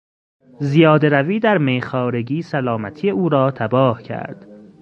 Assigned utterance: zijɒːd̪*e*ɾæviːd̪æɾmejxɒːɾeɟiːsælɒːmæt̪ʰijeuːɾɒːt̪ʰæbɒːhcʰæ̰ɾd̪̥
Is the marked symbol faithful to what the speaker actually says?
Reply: yes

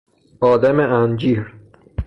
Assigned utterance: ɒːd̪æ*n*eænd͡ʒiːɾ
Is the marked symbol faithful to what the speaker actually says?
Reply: no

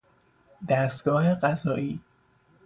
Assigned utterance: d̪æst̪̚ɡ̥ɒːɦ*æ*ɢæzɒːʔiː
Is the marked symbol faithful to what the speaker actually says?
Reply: no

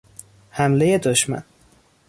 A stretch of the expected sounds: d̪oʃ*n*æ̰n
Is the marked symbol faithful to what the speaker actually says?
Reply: no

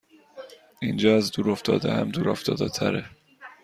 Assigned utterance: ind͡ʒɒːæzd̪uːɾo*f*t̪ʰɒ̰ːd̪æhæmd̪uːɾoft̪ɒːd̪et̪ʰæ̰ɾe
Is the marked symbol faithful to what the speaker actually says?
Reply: yes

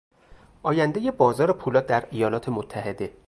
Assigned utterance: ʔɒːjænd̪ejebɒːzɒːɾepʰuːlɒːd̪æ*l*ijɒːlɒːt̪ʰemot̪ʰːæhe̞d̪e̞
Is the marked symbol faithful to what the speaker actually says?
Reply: no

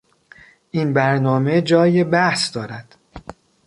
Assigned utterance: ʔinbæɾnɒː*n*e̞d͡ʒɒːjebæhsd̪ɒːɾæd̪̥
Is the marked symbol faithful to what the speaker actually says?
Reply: no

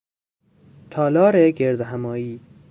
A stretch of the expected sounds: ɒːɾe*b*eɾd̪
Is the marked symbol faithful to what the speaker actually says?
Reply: no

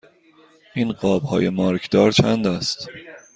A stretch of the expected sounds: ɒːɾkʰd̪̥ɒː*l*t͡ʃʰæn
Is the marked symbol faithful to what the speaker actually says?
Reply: no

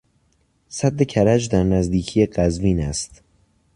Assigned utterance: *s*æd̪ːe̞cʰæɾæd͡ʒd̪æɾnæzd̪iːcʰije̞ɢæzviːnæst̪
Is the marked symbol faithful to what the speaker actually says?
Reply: yes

